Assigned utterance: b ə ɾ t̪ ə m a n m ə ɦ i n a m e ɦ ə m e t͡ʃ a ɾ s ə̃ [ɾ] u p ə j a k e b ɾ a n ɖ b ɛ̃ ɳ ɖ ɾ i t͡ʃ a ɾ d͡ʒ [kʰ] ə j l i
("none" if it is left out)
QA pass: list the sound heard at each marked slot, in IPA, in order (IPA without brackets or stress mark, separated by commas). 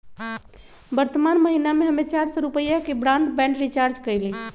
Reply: ɾ, k